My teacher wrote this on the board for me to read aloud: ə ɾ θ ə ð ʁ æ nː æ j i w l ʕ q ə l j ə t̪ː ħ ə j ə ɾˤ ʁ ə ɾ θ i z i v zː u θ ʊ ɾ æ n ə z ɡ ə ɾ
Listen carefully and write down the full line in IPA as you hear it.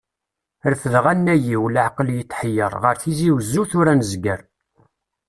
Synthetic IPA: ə ɾ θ ə ð ʁ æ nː æ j i w l ʕ q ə l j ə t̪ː ħ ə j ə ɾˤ ʁ ə ɾ θ i z i w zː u θ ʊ ɾ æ n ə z ɡ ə ɾ